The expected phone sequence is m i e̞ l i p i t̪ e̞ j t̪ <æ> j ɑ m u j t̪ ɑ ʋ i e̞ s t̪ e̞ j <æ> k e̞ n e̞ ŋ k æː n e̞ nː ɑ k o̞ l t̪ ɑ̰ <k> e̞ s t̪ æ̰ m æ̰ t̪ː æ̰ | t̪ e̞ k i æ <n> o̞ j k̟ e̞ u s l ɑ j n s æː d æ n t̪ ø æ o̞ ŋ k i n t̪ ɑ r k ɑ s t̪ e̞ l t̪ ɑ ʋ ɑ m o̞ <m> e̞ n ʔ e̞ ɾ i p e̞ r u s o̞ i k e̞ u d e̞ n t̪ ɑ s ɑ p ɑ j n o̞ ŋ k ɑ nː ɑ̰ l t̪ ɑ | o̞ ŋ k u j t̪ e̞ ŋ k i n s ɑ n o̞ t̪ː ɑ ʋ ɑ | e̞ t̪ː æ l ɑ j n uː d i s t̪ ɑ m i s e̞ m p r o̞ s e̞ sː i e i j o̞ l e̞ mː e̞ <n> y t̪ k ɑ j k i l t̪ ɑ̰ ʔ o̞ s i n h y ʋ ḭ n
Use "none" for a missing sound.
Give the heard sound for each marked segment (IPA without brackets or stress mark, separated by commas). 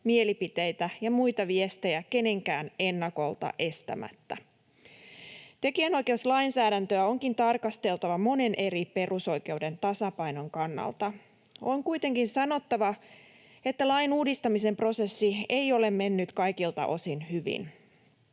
æ, æ, ʔ, n, n, nː